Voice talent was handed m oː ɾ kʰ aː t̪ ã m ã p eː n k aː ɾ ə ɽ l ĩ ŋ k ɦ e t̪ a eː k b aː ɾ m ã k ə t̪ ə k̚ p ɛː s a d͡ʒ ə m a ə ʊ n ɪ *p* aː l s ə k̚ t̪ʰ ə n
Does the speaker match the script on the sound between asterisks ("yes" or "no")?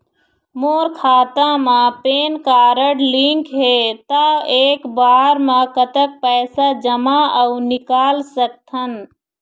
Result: no